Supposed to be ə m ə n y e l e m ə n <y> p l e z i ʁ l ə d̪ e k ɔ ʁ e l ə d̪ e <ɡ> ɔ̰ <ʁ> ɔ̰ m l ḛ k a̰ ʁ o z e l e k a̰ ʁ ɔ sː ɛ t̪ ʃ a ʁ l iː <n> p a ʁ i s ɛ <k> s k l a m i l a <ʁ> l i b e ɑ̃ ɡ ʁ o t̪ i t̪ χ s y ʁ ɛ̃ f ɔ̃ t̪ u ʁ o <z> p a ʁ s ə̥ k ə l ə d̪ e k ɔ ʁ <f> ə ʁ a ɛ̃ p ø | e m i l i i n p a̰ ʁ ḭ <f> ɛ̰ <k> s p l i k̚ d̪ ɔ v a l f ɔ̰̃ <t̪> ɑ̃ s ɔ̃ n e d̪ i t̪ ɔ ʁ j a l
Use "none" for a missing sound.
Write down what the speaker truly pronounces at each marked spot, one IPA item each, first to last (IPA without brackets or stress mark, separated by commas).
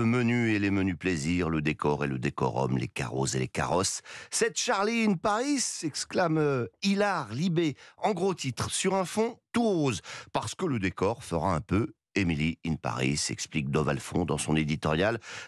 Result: y, k, ʁ, n, k, ʁ, z, f, s, k, d̪